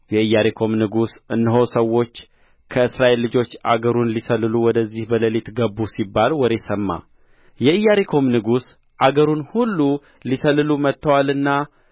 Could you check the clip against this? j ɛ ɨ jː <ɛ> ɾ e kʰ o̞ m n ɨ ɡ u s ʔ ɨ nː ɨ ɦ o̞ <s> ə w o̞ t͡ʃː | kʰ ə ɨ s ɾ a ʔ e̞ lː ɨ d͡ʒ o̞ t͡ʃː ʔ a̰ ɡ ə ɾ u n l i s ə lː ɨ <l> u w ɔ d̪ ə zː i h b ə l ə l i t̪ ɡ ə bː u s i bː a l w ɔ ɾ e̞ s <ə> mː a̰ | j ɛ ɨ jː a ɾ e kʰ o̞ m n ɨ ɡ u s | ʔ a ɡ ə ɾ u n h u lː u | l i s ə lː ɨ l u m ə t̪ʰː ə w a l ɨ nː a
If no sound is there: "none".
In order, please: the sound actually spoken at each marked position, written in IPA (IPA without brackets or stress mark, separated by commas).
a, s, l, ə